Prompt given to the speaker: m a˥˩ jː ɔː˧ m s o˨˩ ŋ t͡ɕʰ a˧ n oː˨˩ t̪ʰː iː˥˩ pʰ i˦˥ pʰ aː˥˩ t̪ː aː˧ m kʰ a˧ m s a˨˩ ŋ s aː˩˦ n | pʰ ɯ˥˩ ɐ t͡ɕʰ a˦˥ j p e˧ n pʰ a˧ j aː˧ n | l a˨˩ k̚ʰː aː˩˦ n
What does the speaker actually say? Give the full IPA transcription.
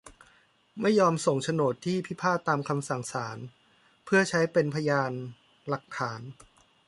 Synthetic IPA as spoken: m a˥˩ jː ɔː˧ m s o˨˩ ŋ t͡ɕʰ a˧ n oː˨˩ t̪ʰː iː˥˩ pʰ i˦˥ pʰ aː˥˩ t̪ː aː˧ m kʰ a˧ m s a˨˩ ŋ s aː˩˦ n | pʰ ɯ˥˩ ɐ t͡ɕʰ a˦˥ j p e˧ n pʰ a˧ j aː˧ n | l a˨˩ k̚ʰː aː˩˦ n

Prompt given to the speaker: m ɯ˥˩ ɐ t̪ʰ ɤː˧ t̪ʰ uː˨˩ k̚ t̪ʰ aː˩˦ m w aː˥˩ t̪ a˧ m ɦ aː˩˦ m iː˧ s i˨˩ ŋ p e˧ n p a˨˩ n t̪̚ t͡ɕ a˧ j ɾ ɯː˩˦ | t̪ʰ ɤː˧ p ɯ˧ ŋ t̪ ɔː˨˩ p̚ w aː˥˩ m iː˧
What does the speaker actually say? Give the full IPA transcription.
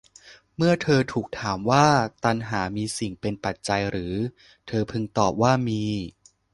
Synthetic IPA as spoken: m ɯ˥˩ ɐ t̪ʰ ɤː˧ t̪ʰ uː˨˩ k̚ t̪ʰ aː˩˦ m w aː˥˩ t̪ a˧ n ɦ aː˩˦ m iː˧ s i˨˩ ŋ p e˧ n p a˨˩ t̪̚ t͡ɕ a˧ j ɾ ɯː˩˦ | t̪ʰ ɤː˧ pʰ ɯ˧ ŋ t̪ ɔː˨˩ p̚ w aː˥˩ m iː˧

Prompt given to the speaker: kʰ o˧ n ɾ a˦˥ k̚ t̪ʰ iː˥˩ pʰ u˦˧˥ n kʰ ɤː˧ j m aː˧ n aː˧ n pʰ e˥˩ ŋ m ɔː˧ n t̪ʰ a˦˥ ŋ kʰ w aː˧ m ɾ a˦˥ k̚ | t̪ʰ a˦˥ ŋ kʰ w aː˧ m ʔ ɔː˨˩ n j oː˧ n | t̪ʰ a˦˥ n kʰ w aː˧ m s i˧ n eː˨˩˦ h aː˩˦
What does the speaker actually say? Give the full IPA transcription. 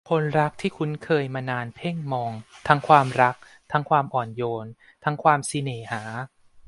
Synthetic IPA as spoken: kʰ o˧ n ɾ a˦˥ k̚ t̪ʰ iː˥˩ kʰ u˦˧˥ n kʰ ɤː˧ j m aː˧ n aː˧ n pʰ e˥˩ ŋ m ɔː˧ ŋ t̪ʰ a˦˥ ŋ kʰ w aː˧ m ɾ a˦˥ k̚ | t̪ʰ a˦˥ ŋ kʰ w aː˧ m ʔ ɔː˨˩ n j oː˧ n | t̪ʰ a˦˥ ŋ kʰ w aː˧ m s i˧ n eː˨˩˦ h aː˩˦

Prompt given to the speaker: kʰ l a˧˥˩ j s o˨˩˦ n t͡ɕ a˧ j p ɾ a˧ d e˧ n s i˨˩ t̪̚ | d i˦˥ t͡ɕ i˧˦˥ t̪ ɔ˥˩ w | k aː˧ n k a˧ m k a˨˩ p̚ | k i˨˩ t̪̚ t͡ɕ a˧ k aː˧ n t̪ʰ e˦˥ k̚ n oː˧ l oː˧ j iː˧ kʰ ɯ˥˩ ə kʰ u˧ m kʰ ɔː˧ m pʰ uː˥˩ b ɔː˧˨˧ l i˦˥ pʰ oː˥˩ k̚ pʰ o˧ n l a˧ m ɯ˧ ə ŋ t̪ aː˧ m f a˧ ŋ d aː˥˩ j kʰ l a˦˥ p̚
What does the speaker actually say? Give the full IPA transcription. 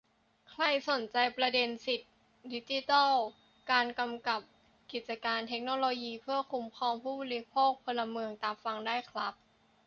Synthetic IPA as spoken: kʰ l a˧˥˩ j s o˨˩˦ n t͡ɕ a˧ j p ɾ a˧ d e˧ n s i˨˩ t̪̚ | d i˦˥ t͡ɕ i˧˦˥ t̪ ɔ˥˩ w | k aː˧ n k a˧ m k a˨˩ p̚ | k i˨˩ t̪̚ t͡ɕ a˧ k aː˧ n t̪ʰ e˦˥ k̚ n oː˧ l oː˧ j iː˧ pʰ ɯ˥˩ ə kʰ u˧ m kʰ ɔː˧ m pʰ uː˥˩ b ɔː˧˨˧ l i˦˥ pʰ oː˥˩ k̚ pʰ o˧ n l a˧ m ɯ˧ ə ŋ t̪ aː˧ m f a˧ ŋ d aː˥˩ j kʰ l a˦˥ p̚

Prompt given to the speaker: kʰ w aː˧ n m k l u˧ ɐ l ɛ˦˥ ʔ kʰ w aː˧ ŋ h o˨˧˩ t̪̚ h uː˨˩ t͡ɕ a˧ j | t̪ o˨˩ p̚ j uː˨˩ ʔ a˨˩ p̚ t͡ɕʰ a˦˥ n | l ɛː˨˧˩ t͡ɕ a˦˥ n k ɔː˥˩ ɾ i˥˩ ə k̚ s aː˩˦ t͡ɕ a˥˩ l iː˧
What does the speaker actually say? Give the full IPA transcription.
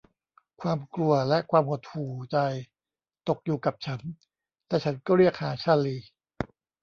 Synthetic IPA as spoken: kʰ w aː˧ m k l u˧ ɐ l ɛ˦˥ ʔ kʰ w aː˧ m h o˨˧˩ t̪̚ h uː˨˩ t͡ɕ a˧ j | t̪ o˨˩ k̚ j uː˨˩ k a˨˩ p̚ t͡ɕʰ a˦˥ n | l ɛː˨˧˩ t͡ɕʰ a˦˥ n k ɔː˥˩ ɾ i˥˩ ə k̚ h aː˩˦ t͡ɕʰ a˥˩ l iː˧

